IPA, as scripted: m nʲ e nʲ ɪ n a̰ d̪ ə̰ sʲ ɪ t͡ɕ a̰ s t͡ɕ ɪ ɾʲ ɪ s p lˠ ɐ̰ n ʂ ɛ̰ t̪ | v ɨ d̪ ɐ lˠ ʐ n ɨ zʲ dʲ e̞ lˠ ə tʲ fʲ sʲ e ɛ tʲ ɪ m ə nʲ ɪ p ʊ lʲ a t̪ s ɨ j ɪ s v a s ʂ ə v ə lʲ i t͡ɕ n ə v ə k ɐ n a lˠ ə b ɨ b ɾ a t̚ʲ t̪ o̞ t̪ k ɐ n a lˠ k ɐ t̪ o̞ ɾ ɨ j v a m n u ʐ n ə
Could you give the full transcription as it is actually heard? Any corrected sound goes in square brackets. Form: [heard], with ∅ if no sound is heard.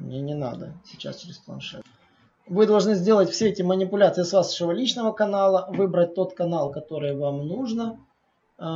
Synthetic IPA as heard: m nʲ e nʲ ɪ n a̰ d̪ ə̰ sʲ ɪ t͡ɕ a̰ s t͡ɕ ɪ ɾʲ ɪ s p lˠ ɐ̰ n ʂ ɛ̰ t̪ | v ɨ d̪ ɐ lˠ ʐ n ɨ zʲ dʲ e̞ lˠ ə tʲ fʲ sʲ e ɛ tʲ ɪ m ə nʲ ɪ p ʊ lʲ a t̪ s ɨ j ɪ s v a s ʂ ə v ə lʲ i t͡ɕ n ə v ə k ɐ n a lˠ ə [v] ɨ b ɾ [ə] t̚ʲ t̪ o̞ t̪ k ɐ n a lˠ k ɐ t̪ o̞ ɾ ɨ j v a m n u ʐ n ə